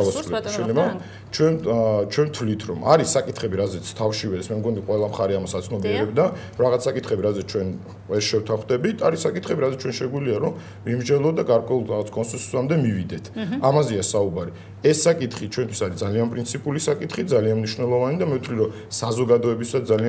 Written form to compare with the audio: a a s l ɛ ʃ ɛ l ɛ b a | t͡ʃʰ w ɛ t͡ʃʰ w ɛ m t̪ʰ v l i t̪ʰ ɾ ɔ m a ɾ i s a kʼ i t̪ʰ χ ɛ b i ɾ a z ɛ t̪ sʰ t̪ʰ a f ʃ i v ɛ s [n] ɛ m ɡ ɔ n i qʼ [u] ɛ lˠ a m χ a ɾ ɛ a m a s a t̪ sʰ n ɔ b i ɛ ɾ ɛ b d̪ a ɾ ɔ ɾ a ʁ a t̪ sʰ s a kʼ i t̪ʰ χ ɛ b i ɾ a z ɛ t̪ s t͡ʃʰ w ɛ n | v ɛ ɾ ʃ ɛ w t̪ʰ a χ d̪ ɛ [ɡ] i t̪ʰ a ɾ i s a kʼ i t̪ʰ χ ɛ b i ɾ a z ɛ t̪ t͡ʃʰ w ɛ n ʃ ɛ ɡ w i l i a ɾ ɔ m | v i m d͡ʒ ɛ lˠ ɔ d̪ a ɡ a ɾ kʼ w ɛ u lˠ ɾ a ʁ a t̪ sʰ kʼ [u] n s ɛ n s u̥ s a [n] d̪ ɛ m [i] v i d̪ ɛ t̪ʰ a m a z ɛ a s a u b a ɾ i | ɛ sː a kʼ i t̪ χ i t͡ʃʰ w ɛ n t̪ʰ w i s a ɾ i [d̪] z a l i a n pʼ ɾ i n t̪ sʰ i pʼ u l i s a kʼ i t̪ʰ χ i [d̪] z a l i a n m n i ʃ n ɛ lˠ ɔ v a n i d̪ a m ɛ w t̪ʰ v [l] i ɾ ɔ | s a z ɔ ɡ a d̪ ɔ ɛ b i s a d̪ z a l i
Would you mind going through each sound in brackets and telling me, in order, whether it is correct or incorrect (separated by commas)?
incorrect, incorrect, incorrect, incorrect, incorrect, correct, correct, correct, correct